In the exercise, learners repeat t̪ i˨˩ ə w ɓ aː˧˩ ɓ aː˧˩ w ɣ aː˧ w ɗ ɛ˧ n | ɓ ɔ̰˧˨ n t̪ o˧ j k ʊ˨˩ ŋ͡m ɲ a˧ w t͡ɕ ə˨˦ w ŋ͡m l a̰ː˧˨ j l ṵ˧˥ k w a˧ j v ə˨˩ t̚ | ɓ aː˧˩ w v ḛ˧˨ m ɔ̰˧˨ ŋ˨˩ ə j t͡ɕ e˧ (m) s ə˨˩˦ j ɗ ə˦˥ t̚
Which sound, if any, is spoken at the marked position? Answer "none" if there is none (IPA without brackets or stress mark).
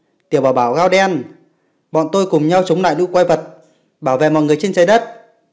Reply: n